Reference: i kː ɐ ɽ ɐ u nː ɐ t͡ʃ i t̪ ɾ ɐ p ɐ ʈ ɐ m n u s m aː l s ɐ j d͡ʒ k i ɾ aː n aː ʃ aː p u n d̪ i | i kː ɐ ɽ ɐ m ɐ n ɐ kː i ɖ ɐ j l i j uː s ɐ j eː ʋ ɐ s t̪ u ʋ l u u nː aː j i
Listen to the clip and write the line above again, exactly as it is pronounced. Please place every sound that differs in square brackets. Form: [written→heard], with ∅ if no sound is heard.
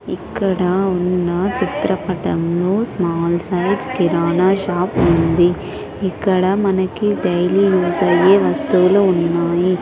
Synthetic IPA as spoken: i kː ɐ ɽ ɐ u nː ɐ t͡ʃ i t̪ ɾ ɐ p ɐ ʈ ɐ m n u s m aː l s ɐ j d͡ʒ k i ɾ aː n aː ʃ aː p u n d̪ i | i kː ɐ ɽ ɐ m ɐ n ɐ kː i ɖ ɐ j l i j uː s ɐ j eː ʋ ɐ s t̪ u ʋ l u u nː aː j i